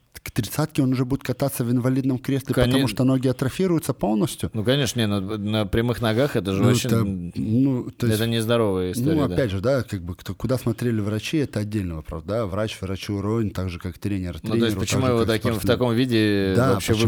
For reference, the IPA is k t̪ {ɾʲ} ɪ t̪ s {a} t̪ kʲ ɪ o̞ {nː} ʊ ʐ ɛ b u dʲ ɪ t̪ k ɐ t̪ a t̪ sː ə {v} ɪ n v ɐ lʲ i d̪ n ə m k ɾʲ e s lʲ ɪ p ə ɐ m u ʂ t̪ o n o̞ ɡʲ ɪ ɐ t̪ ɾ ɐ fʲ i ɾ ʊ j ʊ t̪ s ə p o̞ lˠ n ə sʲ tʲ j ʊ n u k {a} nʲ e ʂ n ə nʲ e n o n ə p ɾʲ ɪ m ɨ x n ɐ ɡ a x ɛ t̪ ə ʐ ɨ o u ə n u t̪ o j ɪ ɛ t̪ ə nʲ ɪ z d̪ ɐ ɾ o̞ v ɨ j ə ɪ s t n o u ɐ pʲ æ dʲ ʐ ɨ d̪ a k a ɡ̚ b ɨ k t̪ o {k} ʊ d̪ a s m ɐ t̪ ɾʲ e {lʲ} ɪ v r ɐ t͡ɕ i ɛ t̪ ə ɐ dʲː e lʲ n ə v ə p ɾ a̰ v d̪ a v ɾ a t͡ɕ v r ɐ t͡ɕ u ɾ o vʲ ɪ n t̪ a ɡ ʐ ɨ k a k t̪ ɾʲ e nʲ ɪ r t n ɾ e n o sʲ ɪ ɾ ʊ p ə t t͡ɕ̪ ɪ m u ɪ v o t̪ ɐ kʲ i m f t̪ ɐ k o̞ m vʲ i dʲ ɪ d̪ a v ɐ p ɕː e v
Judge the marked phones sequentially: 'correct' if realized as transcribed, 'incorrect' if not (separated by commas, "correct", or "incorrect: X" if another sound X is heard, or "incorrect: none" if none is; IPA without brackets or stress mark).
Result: correct, correct, incorrect: n, correct, incorrect: ɐ, correct, correct